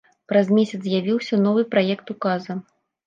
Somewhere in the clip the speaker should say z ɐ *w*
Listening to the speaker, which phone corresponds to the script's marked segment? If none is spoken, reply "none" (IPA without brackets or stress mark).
none